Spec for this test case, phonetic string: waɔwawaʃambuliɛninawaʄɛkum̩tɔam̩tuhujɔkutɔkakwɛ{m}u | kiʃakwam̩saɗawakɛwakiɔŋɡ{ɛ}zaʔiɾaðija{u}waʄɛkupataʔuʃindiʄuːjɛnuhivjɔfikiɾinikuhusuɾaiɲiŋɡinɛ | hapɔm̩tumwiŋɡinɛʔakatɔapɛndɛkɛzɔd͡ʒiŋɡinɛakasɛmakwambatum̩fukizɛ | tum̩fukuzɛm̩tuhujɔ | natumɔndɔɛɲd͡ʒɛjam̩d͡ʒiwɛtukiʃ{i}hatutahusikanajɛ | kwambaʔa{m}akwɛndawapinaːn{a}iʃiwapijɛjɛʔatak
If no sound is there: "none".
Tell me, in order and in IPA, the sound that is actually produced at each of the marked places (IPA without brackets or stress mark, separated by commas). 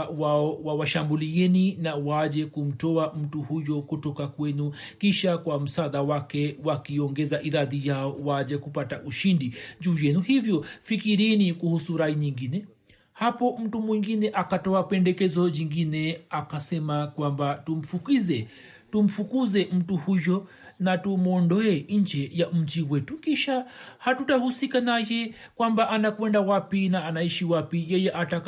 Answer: n, ɛ, ɔ, a, n, a